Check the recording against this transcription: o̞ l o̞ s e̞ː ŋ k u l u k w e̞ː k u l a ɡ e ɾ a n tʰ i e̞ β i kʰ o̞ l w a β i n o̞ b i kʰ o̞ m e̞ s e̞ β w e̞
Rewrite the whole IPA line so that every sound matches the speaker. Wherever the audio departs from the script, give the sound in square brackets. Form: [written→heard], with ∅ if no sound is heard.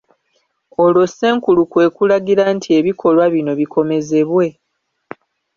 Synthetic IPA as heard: o̞ l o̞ s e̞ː ŋ k u l u k w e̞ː k u l a ɡ [e→i] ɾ a n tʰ i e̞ β i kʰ o̞ l w a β i n o̞ [b→β] i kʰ o̞ m e̞ [s→z] e̞ β w e̞